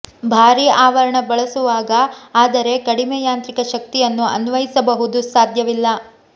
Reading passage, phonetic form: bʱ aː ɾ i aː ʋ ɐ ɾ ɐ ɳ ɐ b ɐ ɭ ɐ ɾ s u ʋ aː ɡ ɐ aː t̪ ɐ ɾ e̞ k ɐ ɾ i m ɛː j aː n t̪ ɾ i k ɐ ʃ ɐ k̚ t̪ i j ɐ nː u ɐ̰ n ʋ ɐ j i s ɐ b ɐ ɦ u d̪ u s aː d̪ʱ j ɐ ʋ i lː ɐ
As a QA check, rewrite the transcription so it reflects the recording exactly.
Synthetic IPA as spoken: bʱ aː ɾ i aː ʋ ɐ ɾ ɐ ɳ ɐ b ɐ ɭ ɐ s u ʋ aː ɡ ɐ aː d̪ ɐ ɾ e̞ k ɐ ɽ i m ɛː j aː n t̪ ɾ i k ɐ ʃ ɐ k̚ t̪ i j ɐ nː u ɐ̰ n ʋ ɐ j i s ɐ b ɐ ɦ u d̪ u s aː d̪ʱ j ɐ ʋ i lː ɐ